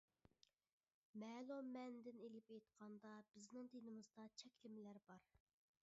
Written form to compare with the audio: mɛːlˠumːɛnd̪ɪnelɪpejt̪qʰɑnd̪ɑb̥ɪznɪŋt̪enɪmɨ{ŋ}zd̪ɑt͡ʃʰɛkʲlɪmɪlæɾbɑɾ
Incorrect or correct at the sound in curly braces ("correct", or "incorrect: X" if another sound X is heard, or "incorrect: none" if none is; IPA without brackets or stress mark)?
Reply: incorrect: none